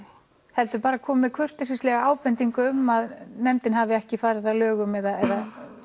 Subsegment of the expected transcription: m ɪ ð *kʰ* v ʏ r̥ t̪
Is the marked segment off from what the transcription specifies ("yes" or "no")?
no